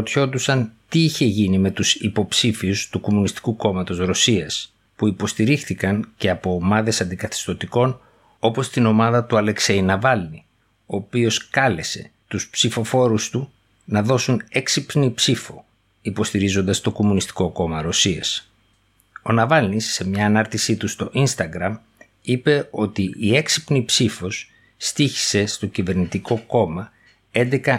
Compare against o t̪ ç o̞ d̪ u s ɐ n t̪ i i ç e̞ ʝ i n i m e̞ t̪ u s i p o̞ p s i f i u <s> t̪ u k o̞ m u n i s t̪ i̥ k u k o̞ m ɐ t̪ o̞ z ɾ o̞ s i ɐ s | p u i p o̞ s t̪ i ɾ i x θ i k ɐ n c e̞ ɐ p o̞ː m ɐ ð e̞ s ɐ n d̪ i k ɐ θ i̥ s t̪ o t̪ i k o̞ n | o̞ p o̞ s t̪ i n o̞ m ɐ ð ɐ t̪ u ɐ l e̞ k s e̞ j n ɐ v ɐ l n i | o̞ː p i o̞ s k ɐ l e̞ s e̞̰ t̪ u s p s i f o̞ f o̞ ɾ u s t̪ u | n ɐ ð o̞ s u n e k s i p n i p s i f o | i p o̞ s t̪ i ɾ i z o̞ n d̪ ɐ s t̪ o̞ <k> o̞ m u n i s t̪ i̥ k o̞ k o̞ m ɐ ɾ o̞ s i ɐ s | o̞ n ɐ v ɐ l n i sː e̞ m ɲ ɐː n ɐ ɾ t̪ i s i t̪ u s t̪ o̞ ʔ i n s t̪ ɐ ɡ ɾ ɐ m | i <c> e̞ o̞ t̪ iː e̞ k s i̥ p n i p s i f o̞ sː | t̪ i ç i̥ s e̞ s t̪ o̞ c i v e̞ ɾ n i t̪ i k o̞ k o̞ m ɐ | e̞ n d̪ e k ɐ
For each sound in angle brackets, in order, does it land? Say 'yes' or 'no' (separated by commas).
yes, yes, no